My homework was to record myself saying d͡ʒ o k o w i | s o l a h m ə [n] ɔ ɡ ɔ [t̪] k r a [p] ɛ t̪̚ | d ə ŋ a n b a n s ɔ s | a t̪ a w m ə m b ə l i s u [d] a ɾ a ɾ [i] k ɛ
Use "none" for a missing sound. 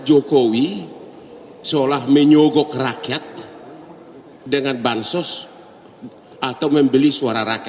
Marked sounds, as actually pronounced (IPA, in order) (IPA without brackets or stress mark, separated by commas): ɲ, none, k, none, a